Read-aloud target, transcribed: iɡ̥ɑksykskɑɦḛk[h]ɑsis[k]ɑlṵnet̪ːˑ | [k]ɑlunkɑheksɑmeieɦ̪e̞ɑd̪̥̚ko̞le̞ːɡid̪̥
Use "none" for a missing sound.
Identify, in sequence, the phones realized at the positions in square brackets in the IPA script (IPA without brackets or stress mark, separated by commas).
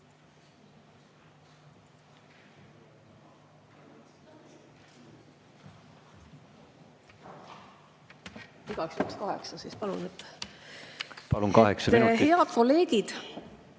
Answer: s, p, p